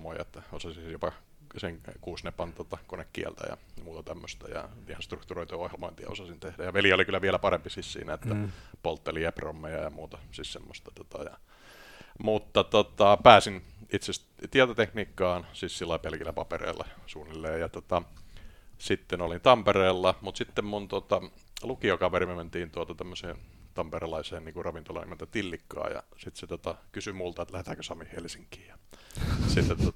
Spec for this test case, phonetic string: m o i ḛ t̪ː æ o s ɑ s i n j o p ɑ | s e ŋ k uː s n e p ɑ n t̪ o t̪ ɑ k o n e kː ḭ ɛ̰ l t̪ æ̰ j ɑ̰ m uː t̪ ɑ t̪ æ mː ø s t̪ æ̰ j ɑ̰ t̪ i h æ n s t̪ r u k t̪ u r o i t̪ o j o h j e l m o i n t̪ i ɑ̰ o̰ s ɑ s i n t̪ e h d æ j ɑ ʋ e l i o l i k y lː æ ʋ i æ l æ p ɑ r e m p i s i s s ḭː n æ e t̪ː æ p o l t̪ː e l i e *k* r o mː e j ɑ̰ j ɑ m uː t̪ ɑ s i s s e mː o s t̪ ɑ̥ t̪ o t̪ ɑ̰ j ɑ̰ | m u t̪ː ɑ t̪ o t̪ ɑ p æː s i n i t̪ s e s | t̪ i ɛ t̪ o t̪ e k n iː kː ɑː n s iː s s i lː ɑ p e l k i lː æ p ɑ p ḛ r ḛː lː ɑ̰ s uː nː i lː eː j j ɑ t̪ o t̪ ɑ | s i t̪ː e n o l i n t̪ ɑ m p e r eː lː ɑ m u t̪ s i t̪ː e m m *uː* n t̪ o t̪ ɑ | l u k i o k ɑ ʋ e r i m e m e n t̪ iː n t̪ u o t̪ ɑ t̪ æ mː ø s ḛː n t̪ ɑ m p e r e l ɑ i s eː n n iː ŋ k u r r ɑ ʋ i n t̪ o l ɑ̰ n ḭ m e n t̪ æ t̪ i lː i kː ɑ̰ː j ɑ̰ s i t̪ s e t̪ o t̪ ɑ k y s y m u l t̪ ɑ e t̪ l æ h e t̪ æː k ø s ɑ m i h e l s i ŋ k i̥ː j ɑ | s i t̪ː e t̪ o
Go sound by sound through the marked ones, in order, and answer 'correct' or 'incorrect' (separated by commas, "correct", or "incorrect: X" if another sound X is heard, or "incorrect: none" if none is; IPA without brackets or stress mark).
incorrect: p, incorrect: u